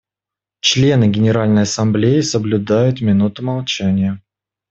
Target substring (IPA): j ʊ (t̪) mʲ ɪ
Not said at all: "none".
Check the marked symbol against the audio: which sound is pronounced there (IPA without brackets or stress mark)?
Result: t̪